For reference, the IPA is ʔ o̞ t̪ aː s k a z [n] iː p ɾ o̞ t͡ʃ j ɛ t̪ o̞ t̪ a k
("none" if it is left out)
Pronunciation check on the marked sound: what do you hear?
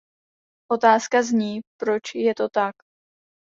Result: ɲ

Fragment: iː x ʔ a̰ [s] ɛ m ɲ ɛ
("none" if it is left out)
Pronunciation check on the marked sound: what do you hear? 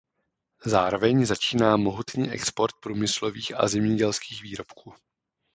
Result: z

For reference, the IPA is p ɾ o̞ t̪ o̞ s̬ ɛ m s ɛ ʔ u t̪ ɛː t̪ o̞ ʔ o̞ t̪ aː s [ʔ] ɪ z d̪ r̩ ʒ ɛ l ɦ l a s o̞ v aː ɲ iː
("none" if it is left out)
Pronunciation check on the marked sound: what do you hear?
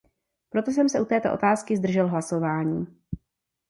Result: k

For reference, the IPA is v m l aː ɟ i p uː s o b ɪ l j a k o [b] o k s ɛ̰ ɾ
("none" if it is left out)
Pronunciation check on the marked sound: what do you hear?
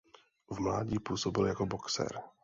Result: b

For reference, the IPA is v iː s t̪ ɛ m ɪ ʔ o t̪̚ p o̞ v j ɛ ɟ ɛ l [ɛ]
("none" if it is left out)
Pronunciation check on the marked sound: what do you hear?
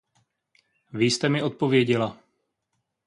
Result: a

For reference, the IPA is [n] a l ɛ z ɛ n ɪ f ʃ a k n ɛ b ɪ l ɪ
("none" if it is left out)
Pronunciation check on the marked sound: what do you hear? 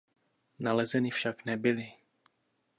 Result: n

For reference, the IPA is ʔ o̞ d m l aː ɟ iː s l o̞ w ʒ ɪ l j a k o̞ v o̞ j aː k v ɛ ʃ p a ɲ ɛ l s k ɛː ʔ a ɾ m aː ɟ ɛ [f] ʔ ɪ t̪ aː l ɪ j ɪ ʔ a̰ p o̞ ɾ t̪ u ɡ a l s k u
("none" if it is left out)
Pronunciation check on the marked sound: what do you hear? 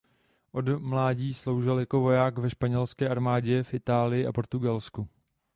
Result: f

